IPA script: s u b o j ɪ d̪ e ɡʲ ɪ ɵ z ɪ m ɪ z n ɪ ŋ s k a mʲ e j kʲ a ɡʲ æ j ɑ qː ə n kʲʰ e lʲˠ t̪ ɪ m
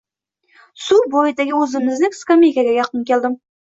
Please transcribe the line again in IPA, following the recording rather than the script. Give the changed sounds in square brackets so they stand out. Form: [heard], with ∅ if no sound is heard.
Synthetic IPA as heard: s u b o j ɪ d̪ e ɡʲ ɪ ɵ z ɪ m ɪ z n ɪ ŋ s k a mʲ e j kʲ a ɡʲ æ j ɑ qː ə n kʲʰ e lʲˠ [d̪] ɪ m